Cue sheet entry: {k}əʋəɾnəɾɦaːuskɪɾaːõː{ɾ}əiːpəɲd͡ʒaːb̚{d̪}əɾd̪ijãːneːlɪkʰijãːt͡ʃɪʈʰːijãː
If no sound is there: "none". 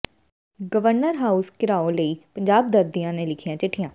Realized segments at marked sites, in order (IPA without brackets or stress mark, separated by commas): ɡ, l, d̪